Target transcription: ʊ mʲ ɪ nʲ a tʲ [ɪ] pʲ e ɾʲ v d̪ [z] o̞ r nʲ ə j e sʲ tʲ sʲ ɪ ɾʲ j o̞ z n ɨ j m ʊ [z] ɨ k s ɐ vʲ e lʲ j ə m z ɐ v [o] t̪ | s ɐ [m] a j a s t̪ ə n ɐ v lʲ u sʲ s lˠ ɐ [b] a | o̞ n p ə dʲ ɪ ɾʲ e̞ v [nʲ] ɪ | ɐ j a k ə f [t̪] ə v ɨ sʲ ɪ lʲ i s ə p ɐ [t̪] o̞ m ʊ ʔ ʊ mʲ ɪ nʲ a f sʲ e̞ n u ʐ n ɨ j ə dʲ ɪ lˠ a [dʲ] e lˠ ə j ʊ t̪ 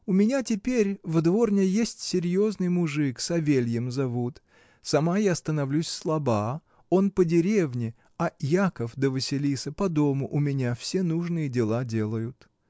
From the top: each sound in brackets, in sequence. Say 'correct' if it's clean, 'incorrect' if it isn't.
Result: correct, incorrect: v, incorrect: ʐ, incorrect: u, correct, correct, correct, incorrect: d̪, incorrect: d̪, correct

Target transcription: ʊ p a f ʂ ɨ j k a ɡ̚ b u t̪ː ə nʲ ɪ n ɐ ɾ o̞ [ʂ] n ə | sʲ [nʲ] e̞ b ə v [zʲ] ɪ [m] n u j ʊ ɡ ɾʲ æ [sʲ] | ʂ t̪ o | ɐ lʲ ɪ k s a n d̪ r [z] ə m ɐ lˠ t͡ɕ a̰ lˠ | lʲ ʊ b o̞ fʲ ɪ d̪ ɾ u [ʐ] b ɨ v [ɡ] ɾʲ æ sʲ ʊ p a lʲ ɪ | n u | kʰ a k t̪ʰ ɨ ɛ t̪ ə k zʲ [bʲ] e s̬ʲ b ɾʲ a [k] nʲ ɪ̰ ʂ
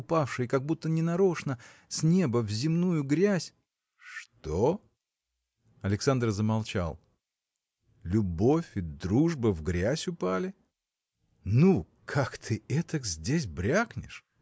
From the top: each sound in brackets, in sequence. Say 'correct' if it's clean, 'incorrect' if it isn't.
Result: correct, correct, correct, correct, correct, correct, correct, correct, incorrect: dʲ, correct

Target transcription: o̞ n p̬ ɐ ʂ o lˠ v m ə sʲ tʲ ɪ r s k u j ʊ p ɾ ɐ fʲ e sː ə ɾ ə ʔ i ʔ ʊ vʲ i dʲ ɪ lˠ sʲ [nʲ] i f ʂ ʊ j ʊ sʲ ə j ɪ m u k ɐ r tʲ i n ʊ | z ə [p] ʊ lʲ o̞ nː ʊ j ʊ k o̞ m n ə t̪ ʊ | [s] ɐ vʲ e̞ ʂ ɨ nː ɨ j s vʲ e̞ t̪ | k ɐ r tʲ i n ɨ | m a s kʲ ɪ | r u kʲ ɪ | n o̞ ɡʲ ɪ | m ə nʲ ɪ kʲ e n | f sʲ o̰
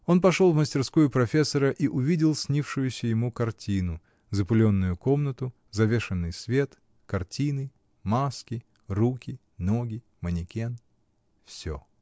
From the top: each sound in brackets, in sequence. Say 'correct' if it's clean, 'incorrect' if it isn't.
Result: correct, correct, incorrect: z

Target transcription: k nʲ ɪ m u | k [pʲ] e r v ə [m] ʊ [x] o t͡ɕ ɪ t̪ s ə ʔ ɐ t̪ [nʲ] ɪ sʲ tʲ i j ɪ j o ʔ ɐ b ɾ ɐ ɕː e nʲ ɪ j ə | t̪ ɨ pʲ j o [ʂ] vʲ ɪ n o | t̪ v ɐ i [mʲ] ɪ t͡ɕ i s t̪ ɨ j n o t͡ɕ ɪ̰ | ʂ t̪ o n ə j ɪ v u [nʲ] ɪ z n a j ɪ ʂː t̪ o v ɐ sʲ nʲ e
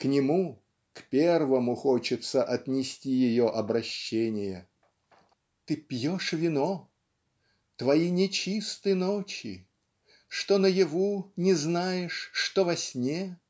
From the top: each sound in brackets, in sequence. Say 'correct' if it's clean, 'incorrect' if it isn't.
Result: correct, correct, correct, correct, correct, incorrect: nʲ, correct

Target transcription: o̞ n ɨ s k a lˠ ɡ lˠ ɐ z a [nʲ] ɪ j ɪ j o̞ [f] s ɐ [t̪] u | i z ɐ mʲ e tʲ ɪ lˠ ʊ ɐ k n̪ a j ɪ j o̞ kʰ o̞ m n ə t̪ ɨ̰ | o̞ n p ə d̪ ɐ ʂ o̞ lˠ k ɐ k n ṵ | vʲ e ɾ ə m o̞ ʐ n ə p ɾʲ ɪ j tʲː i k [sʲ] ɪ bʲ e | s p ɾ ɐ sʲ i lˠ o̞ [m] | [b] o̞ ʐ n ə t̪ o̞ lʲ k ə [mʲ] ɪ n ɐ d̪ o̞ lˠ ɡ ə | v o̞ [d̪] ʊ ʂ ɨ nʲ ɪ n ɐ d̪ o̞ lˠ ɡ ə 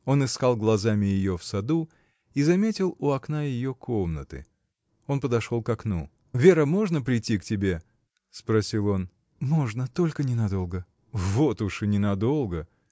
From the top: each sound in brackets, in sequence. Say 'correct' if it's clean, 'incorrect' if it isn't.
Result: incorrect: mʲ, correct, incorrect: d̪, incorrect: tʲ, incorrect: n, incorrect: m, incorrect: nʲ, incorrect: t̪

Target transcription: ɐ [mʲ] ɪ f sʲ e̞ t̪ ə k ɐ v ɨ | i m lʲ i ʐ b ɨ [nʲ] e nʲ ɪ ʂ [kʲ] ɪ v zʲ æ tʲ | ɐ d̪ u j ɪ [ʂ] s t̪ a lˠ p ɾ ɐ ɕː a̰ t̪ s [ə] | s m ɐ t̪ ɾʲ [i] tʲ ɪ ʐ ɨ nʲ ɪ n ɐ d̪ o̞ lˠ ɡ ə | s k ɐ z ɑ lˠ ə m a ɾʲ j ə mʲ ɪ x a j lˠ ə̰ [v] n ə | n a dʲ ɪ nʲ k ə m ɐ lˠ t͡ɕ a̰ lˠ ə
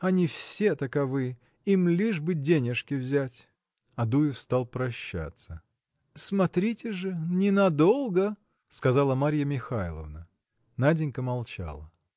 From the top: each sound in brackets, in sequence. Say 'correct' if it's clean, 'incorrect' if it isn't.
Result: incorrect: nʲ, incorrect: dʲ, correct, incorrect: f, correct, correct, correct

